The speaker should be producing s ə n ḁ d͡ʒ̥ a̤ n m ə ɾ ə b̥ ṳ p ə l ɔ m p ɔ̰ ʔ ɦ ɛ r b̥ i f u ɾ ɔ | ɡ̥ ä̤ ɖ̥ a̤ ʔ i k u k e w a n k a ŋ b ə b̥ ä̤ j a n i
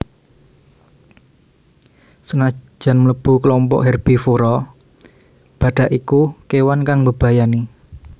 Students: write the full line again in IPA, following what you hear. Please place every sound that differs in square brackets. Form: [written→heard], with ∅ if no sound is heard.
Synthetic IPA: s ə n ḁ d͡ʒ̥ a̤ n m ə [ɾ→l] ə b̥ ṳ [p→k] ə l ɔ m p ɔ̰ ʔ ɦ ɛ r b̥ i f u ɾ ɔ | [ɡ̥→b̥] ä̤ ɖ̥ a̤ ʔ i k u k e w a n k a ŋ b ə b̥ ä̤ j a n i